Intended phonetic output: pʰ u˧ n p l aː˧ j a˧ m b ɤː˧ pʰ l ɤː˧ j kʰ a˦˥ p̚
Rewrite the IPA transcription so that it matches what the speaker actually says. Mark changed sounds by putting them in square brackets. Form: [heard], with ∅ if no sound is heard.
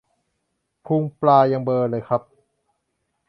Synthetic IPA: pʰ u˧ [ŋ] p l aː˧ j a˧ [ŋ] b ɤː˧ [∅] l ɤː˧ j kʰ a˦˥ p̚